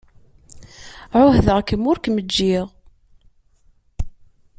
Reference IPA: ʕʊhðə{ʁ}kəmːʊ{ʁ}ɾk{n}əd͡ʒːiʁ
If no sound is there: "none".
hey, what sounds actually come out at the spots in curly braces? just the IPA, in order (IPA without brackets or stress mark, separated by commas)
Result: ʁ, none, m